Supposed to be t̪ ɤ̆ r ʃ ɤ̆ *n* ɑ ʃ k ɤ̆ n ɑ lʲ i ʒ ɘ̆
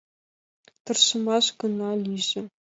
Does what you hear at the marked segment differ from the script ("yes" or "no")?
yes